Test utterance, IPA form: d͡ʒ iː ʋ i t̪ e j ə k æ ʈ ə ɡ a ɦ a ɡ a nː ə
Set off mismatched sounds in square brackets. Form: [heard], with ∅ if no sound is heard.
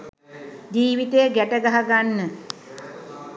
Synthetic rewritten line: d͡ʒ iː ʋ i t̪ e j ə [ɡ] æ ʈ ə ɡ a ɦ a ɡ a nː ə